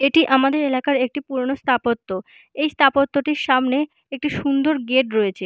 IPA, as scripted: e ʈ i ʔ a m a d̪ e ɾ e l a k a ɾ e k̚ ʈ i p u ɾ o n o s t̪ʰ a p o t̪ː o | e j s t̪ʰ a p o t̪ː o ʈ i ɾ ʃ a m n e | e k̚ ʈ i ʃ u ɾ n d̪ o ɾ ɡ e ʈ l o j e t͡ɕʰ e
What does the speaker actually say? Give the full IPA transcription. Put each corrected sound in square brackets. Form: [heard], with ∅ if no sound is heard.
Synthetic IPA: e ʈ i ʔ a m a d̪ e ɾ e l a k a ɾ e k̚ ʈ i p u ɾ o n o s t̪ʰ a p o t̪ː o | e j s t̪ʰ a p o t̪ː o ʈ i ɾ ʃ a m n e | e k̚ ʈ i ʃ u [∅] n d̪ o ɾ ɡ e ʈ [ɾ] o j e t͡ɕʰ e